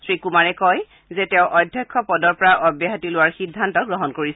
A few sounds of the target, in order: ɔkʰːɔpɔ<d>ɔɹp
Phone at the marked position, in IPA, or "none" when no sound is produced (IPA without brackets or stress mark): d